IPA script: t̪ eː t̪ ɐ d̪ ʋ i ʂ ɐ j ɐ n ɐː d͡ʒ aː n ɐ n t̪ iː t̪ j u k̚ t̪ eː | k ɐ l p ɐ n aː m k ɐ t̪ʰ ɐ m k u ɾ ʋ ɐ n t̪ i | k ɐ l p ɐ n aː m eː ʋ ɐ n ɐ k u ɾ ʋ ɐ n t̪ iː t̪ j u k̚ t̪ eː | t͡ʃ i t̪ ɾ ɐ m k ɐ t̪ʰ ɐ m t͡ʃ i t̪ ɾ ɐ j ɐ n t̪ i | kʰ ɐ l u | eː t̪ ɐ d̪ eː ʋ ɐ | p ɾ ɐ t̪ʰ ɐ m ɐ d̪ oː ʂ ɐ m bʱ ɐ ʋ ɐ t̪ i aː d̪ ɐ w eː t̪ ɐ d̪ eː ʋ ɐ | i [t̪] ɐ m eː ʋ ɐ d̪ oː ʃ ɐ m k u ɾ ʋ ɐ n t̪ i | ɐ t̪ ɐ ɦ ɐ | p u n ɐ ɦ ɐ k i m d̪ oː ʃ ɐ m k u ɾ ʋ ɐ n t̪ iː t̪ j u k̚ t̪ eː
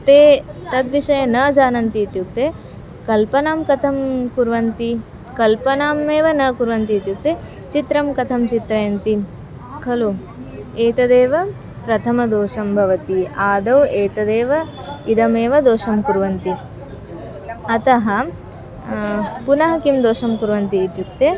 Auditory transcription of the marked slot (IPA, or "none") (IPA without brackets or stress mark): d̪